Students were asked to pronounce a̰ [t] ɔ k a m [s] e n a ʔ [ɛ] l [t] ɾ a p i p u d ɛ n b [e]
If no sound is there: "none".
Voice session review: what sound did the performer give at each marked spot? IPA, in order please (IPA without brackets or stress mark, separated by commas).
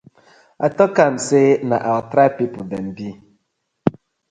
t, s, a, t, i